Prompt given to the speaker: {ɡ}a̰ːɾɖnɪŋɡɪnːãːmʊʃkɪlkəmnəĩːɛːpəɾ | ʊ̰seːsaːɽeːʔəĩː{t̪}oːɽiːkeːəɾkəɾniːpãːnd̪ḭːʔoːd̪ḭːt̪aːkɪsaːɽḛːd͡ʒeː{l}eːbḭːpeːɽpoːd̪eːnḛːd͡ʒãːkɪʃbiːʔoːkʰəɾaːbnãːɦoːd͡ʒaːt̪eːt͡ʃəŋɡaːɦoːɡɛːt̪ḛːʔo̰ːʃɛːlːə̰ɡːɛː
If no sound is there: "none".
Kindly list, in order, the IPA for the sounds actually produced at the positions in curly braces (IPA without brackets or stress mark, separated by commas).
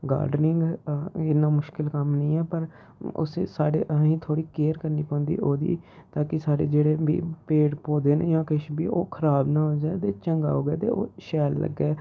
ɡ, t̪ʰ, ɽ